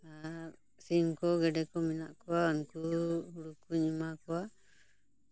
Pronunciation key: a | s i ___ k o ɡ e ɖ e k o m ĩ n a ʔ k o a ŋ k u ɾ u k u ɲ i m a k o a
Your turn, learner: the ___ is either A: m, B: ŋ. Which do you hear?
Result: B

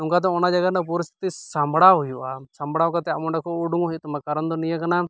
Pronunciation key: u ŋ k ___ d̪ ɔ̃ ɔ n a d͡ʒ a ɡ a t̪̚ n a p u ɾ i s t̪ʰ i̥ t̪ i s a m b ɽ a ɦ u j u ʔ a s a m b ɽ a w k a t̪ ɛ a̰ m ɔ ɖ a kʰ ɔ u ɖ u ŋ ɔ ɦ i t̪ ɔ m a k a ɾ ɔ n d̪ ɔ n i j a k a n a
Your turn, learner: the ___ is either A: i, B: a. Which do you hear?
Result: B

